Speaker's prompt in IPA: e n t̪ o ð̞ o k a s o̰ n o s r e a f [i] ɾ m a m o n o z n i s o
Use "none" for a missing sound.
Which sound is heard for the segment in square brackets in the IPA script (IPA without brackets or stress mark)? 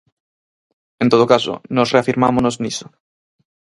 i